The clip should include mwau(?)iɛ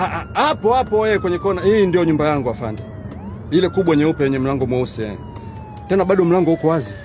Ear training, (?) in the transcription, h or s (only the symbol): s